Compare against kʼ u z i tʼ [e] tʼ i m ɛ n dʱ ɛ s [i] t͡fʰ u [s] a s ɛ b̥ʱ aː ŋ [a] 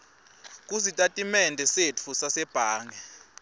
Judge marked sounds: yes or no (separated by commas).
no, no, yes, no